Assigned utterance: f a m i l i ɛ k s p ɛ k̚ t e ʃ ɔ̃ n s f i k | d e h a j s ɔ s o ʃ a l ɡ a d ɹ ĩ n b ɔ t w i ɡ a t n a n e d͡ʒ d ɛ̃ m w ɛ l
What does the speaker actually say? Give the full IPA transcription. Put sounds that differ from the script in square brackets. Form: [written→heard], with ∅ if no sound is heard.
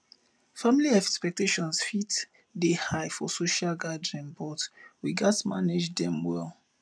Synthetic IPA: f a m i l i ɛ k s p ɛ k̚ t e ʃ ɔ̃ n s f i [k→t] | d e h a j [s→f] ɔ s o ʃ a l ɡ a d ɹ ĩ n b ɔ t w i ɡ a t [n→m] a n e d͡ʒ d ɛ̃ m w ɛ l

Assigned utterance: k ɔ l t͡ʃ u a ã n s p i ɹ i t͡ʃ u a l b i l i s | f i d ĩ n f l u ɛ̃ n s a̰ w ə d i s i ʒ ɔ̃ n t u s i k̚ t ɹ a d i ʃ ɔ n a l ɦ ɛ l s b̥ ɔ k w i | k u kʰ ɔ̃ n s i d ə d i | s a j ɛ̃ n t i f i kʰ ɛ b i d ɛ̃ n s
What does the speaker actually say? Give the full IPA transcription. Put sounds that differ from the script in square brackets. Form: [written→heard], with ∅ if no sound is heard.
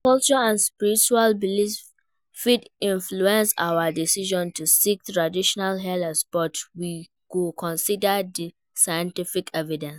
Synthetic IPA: k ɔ l t͡ʃ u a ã n s p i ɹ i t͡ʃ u a l b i l i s | f i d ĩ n f l u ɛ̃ n s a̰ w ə d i s i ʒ ɔ̃ n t u s i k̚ t ɹ a d i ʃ ɔ n a l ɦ ɛ l s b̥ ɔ [k→t] w i | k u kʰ ɔ̃ n s i d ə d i | s a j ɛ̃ n t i f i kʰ ɛ [b→v] i d ɛ̃ n s

